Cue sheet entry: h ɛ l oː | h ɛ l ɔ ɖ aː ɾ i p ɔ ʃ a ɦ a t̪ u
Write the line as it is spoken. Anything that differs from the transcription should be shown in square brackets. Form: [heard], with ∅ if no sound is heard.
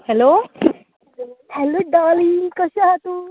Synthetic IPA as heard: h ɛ l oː | h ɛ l [o] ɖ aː [l] i [k] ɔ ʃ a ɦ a t̪ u